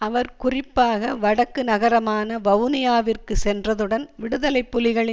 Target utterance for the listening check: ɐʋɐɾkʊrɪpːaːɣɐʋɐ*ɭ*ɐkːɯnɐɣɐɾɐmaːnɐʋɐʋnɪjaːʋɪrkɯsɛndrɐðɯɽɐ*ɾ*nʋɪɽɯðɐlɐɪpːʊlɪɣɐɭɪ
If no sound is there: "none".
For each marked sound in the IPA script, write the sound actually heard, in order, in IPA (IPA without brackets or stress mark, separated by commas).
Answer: ɽ, none